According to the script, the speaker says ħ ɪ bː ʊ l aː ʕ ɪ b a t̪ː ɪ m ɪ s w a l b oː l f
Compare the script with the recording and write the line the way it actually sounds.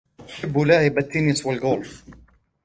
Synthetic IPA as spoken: ħ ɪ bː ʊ l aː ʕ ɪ b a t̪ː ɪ n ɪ s w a l ɡ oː l f